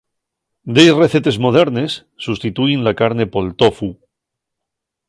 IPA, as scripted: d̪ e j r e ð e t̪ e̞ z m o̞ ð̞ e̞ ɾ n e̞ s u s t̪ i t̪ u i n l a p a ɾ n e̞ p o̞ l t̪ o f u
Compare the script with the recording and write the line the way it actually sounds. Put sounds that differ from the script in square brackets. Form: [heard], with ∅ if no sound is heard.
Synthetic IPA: d̪ e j r e [θ] e t̪ e̞ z m o̞ ð̞ e̞ ɾ n e̞ [sː] u s t̪ i t̪ u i n l a [k] a ɾ n e̞ p o̞ l t̪ o f u

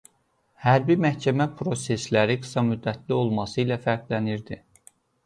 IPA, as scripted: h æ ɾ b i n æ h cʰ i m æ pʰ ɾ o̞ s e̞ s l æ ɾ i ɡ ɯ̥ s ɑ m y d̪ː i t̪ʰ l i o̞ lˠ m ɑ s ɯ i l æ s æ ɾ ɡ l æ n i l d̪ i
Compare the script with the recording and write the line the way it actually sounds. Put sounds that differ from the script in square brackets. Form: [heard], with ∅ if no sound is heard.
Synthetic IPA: h æ ɾ b i [m] æ h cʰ [æ] m æ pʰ ɾ o̞ s e̞ s l æ ɾ i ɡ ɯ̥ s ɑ m y d̪ː [æ] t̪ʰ l i o̞ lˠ m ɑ s ɯ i l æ [f] æ ɾ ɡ l æ n i [ɾ] d̪ i

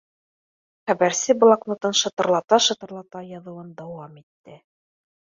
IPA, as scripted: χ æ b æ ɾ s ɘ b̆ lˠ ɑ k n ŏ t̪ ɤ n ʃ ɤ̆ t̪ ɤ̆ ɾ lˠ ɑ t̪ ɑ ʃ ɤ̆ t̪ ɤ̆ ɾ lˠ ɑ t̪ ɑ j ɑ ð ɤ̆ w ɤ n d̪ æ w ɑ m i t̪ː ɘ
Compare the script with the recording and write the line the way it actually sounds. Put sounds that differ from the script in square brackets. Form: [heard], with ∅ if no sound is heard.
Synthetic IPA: χ æ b æ ɾ s ɘ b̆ lˠ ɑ k n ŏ t̪ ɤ n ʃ ɤ̆ t̪ ɤ̆ ɾ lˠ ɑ t̪ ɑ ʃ ɤ̆ t̪ ɤ̆ ɾ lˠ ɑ t̪ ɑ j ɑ ð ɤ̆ w ɤ n d̪ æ w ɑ m i t̪ː ɘ

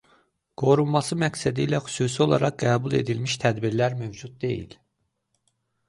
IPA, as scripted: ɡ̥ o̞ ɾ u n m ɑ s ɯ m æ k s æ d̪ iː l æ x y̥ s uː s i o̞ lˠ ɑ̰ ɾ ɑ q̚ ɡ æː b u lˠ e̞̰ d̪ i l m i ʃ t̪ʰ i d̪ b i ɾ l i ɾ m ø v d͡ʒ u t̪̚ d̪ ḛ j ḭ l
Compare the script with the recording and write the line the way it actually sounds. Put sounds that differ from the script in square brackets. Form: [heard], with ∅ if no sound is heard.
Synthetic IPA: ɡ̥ o̞ ɾ u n m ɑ s ɯ m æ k s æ d̪ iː l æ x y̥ s uː s i o̞ lˠ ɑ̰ ɾ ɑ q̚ ɡ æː b u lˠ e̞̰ d̪ i l m i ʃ t̪ʰ [æ] d̪ b i ɾ l [æ] ɾ m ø v d͡ʒ u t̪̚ d̪ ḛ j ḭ l

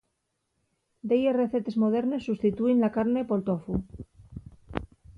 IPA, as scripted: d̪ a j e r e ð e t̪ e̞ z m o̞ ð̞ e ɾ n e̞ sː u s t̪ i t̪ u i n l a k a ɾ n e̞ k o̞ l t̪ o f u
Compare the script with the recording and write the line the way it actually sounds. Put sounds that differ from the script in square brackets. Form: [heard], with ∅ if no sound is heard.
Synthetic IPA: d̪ [e] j e r e [θ] e t̪ e̞ z m o̞ ð̞ e ɾ n e̞ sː u s t̪ i t̪ u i n l a k a ɾ n e̞ [p] o̞ l t̪ o f u

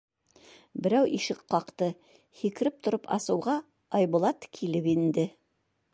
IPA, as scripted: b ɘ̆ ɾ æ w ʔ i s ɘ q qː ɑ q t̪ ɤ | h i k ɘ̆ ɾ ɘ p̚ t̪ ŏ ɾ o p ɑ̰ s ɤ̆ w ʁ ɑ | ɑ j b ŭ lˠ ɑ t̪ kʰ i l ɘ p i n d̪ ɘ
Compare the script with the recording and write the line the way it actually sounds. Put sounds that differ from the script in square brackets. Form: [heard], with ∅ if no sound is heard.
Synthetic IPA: b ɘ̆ ɾ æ w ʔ i [ʃ] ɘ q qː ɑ q t̪ ɤ | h i k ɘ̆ ɾ ɘ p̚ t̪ ŏ ɾ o p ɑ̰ s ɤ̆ w ʁ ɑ | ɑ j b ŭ lˠ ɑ t̪ kʰ i l ɘ p i n d̪ ɘ

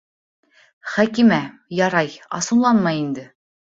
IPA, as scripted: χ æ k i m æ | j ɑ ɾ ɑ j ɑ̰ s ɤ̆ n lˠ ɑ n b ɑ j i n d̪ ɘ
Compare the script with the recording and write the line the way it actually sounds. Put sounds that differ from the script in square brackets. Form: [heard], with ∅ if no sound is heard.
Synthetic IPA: χ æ k i m æ | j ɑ ɾ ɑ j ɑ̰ s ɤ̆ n lˠ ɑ n [m] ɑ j i n d̪ ɘ

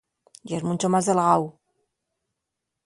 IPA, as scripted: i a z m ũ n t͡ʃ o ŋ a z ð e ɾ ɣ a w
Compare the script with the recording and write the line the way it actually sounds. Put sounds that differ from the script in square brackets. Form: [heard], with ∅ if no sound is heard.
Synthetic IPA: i [e] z m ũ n t͡ʃ o [m] a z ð e [l] ɣ a w

